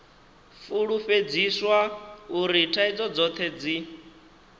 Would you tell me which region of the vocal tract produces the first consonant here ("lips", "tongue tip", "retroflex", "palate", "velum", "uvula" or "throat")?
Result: lips